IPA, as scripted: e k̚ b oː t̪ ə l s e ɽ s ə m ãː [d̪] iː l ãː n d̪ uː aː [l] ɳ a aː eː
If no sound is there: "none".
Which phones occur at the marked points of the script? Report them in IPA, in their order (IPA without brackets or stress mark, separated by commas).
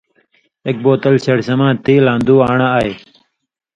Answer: t̪, none